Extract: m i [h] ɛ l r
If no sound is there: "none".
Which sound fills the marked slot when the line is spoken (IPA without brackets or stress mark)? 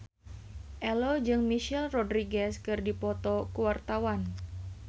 ʃ